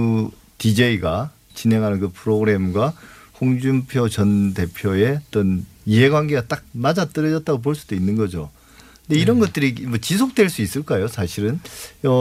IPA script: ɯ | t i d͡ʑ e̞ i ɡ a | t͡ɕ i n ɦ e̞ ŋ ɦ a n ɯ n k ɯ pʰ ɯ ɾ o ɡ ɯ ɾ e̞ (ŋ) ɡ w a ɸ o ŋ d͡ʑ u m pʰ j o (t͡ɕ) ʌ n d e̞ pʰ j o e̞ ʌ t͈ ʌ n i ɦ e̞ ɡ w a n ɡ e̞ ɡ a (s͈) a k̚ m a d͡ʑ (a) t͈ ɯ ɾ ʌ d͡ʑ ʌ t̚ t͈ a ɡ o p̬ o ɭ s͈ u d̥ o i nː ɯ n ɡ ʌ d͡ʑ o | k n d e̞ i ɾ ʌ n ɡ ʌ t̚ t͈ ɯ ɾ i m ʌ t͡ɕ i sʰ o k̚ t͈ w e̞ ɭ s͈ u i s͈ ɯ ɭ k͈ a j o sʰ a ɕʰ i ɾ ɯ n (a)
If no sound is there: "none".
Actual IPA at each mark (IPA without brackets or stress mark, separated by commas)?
m, t͡ɕ, t͈, a, ʌ